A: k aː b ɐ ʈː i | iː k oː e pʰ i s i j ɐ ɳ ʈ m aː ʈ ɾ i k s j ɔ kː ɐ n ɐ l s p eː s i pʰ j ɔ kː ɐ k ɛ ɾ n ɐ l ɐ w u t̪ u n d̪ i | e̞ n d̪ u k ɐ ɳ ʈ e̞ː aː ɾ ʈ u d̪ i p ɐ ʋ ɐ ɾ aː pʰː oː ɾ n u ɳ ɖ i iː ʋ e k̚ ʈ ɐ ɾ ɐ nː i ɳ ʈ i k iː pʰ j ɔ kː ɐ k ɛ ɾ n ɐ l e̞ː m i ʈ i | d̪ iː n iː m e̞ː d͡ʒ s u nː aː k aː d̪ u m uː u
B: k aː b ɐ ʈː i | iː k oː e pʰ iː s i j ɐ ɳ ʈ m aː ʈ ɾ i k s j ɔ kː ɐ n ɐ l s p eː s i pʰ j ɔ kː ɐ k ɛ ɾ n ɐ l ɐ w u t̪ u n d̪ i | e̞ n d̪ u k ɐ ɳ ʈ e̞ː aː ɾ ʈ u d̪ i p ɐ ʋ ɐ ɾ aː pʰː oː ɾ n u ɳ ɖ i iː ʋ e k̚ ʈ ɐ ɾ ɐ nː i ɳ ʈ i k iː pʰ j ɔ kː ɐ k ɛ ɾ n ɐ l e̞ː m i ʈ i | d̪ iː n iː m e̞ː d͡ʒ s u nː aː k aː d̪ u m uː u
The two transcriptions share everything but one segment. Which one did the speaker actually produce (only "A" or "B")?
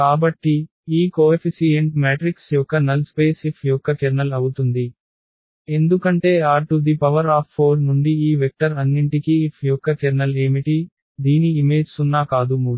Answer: A